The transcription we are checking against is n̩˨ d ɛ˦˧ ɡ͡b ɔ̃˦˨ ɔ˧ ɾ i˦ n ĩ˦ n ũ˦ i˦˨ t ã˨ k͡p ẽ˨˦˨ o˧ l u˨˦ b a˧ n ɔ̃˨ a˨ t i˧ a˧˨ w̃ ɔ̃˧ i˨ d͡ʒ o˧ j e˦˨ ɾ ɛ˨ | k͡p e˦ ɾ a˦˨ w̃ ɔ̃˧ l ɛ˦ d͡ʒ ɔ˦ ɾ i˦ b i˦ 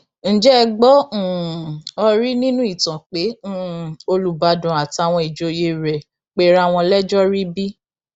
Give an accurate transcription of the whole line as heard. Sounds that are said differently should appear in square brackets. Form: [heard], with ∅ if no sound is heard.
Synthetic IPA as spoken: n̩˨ [d͡ʒ] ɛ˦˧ ɡ͡b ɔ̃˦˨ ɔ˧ ɾ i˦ n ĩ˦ n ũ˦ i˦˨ t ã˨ k͡p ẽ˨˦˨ o˧ l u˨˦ b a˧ [d] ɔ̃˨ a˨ t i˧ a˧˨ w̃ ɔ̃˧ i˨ d͡ʒ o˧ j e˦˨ ɾ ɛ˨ | k͡p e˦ ɾ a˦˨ w̃ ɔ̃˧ l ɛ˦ d͡ʒ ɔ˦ ɾ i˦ b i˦